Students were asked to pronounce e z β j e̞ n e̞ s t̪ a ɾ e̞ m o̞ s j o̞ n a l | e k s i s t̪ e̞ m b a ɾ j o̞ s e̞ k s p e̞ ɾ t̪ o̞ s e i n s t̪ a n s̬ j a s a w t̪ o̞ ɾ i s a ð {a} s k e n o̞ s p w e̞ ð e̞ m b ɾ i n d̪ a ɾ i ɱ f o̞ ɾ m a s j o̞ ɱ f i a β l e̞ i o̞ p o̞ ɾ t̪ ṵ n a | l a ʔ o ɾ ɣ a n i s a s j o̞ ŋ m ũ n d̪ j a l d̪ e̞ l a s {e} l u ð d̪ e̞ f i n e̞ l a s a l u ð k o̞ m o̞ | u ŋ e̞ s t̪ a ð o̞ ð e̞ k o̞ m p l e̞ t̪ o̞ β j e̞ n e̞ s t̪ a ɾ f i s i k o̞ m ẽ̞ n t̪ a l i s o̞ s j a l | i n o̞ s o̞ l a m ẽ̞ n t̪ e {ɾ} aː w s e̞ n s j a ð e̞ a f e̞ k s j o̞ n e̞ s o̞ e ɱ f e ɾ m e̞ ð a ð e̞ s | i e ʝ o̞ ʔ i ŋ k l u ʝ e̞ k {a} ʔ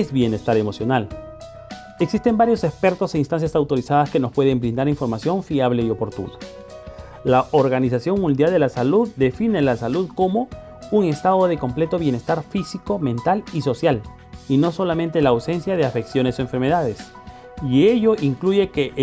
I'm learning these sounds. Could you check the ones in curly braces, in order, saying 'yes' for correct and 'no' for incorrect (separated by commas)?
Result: yes, no, no, no